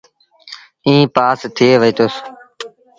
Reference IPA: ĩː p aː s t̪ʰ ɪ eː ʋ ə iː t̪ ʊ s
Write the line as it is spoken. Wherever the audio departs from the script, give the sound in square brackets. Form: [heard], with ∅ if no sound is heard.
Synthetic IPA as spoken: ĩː p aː s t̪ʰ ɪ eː ʋ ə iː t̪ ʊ s